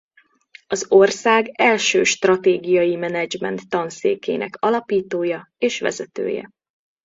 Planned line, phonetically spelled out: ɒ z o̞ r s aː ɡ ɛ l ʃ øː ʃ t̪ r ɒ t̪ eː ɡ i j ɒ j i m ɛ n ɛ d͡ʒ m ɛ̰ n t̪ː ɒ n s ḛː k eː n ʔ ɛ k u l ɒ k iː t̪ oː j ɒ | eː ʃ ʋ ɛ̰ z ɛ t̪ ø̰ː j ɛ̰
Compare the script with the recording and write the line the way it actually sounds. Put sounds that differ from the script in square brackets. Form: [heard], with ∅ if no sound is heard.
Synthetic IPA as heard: ɒ z o̞ r s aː ɡ ɛ l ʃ øː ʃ t̪ r ɒ t̪ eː ɡ i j ɒ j i m ɛ n ɛ d͡ʒ m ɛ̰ n t̪ː ɒ n s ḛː k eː n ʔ ɛ k [ɒ] l ɒ [p] iː t̪ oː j ɒ | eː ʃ ʋ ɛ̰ z ɛ t̪ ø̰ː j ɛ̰